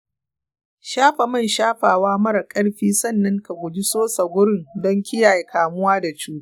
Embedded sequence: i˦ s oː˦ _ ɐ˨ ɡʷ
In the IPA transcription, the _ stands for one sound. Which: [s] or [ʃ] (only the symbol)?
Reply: s